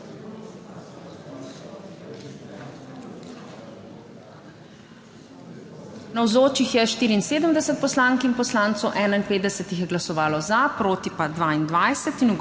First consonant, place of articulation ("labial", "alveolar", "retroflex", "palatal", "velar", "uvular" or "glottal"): alveolar